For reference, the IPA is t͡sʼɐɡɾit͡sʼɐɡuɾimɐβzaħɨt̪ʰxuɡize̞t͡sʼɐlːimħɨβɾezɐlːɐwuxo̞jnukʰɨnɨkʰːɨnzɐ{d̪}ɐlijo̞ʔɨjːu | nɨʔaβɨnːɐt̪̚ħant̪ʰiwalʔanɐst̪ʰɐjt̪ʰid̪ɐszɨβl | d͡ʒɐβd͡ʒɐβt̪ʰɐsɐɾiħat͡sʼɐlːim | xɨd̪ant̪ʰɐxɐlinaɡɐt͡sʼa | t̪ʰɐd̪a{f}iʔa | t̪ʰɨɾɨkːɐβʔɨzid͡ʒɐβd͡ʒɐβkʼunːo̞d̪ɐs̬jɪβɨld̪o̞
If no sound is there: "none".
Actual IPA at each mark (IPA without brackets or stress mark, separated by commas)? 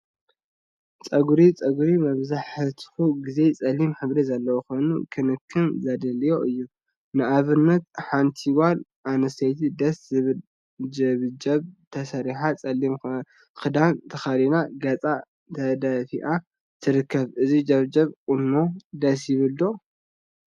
d̪, f